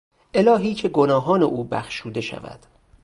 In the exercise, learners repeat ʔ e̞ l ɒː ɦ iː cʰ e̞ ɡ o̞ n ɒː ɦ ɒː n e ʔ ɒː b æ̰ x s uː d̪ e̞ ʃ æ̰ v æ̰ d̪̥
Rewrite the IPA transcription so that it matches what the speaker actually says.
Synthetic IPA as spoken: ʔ e̞ l ɒː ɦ iː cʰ e̞ ɡ o̞ n ɒː ɦ ɒː n e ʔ uː b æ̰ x ʃ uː d̪ e̞ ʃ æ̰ v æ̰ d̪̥